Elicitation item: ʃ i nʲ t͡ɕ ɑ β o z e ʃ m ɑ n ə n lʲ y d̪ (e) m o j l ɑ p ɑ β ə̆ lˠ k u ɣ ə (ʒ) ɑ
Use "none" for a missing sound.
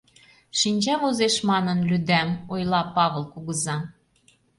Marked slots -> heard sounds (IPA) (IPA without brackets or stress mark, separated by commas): æ, z